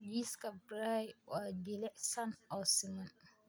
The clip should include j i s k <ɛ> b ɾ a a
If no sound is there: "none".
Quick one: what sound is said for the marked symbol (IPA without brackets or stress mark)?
a